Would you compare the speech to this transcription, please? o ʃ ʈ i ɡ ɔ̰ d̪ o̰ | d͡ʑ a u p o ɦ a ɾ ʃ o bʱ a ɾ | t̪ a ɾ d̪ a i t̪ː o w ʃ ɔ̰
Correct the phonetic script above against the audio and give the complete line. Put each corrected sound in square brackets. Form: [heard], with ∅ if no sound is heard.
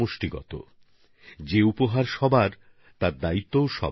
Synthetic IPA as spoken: o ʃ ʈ i ɡ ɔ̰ [t̪] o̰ | d͡ʑ [e] u p o ɦ a ɾ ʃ [ɔ] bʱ a ɾ | t̪ a ɾ d̪ a i t̪ː o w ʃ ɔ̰